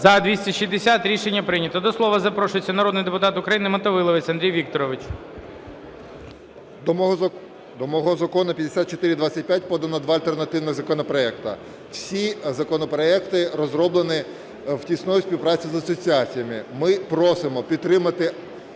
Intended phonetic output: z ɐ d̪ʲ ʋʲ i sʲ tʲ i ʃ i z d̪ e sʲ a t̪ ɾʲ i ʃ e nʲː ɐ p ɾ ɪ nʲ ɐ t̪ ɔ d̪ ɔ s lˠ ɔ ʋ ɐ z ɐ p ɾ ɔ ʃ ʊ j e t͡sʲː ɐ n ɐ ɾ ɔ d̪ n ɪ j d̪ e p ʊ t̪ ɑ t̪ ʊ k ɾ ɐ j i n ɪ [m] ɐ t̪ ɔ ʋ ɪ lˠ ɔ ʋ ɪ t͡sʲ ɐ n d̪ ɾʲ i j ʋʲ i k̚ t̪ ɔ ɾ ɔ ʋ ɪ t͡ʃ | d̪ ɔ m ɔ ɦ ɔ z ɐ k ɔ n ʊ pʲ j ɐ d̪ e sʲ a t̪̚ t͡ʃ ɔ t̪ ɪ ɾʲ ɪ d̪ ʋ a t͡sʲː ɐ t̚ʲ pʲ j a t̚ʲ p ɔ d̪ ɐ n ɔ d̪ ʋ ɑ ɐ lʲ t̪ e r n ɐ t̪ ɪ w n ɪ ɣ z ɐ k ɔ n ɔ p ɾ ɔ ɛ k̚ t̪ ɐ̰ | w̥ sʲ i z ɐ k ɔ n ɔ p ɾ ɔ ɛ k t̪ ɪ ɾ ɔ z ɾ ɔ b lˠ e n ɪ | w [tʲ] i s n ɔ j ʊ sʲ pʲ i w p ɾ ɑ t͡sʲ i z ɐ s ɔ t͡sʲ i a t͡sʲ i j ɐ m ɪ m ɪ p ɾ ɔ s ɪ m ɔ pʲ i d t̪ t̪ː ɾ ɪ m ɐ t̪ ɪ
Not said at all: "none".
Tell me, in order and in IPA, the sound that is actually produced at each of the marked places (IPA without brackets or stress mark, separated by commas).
m, tʲ